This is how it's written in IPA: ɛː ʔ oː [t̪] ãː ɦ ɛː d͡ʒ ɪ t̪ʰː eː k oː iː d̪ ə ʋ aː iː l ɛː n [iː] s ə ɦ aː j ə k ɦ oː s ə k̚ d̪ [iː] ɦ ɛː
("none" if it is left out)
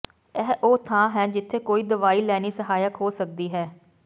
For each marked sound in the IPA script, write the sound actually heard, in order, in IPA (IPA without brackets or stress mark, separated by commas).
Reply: t̪ʰ, iː, iː